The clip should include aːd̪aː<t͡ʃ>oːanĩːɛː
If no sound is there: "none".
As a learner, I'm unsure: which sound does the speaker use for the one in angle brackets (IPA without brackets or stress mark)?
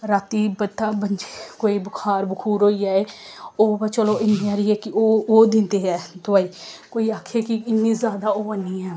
none